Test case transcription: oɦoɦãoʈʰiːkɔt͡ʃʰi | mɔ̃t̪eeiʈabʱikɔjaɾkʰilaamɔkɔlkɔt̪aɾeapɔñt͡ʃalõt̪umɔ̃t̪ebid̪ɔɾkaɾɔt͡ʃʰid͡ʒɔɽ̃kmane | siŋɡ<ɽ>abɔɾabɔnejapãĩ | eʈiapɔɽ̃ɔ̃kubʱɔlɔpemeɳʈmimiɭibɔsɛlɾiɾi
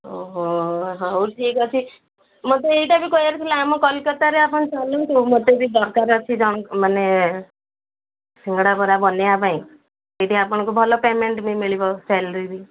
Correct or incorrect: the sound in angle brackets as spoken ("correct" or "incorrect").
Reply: correct